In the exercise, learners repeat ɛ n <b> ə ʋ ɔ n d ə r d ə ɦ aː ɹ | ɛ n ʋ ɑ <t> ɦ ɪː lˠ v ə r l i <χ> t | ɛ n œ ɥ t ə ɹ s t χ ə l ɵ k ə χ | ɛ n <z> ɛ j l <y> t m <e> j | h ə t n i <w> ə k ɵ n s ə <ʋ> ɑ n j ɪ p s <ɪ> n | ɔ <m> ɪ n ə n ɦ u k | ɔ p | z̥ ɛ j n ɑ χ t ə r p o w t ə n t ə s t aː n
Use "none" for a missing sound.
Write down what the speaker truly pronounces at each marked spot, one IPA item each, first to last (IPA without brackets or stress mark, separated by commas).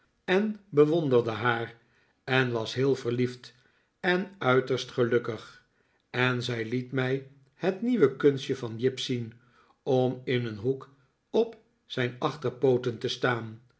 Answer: b, s, f, z, i, ɛ, ʋ, v, i, m